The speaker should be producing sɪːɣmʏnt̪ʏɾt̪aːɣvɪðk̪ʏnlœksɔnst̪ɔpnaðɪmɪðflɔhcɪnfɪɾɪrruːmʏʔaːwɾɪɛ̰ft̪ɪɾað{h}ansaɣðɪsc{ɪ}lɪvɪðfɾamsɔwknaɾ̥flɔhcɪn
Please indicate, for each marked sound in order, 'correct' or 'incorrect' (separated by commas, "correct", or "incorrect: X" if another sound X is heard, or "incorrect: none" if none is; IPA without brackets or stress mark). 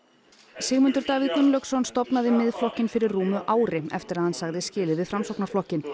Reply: correct, incorrect: ɪː